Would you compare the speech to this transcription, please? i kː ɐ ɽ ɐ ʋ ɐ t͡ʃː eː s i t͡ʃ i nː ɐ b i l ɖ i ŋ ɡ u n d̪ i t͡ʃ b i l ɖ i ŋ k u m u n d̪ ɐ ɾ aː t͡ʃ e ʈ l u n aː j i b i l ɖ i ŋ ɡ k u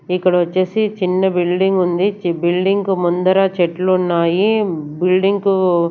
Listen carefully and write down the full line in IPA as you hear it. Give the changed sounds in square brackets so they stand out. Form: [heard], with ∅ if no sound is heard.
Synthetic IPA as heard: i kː ɐ ɽ ɐ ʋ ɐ t͡ʃː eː s i t͡ʃ i nː ɐ b i l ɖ i ŋ ɡ u n d̪ i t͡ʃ b i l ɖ i ŋ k u m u n d̪ ɐ ɾ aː t͡ʃ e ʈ l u [nː] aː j i b i l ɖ i ŋ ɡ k u